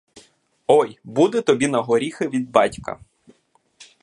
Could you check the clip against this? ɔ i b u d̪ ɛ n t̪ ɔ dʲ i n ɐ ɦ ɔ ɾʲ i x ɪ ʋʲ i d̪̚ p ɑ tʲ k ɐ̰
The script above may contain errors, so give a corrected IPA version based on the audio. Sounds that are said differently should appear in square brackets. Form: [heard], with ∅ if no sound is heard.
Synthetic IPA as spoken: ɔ [j] b u d̪ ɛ [∅] t̪ ɔ [bʲ] i n ɐ ɦ ɔ ɾʲ i x ɪ ʋʲ i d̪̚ [b] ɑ tʲ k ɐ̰